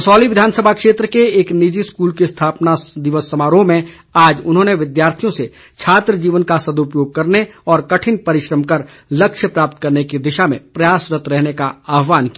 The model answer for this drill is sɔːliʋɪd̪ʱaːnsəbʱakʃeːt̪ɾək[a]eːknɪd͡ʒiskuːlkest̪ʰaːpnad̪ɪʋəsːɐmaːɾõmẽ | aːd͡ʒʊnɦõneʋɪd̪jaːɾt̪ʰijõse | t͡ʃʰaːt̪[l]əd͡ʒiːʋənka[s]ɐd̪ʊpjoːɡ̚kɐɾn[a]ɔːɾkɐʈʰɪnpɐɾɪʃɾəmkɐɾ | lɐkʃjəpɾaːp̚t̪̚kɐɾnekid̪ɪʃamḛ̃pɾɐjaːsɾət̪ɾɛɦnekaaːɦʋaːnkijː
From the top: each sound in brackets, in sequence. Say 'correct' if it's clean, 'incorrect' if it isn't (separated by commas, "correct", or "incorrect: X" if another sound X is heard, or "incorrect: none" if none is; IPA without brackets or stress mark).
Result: incorrect: e, incorrect: ɾ, correct, incorrect: e